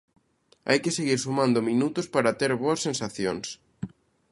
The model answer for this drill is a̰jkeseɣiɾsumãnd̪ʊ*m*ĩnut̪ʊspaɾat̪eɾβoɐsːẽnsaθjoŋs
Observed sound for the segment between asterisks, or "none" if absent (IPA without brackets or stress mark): m